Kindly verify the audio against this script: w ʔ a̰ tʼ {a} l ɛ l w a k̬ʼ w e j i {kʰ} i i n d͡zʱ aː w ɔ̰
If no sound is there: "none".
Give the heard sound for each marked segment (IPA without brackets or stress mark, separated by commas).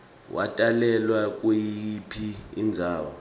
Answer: a, pʰ